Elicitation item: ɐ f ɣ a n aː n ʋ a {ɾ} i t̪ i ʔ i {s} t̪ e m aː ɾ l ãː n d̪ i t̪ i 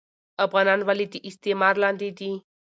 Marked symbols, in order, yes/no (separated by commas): no, yes